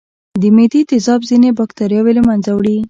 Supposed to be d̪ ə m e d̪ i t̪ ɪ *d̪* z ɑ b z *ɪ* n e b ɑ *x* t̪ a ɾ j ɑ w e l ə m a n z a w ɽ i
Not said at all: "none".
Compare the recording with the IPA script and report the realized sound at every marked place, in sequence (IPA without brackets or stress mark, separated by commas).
none, i, k